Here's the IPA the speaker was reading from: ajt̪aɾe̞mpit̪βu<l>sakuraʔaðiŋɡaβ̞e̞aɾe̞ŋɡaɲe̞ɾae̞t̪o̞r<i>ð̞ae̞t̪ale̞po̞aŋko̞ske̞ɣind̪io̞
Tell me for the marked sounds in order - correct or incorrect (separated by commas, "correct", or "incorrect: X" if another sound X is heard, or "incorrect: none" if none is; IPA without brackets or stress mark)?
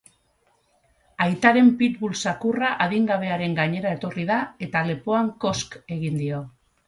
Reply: correct, correct